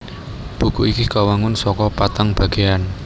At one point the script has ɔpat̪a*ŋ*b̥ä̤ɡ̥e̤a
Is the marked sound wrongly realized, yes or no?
no